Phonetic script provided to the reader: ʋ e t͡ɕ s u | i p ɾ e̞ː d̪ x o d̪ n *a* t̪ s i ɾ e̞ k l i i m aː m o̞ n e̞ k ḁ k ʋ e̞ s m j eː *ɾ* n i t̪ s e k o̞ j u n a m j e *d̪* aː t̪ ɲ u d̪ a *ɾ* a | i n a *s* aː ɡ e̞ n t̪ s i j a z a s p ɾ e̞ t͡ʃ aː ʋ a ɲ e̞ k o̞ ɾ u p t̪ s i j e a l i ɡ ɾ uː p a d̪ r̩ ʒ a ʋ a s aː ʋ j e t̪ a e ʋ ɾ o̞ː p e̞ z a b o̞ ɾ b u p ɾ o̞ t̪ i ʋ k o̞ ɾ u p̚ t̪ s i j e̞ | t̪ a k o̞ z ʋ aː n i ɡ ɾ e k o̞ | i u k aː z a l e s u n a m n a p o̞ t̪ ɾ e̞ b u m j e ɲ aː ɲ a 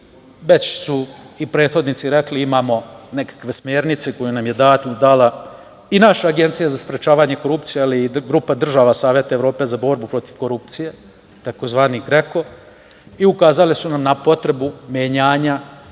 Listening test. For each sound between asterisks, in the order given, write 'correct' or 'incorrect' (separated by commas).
incorrect, correct, correct, incorrect, incorrect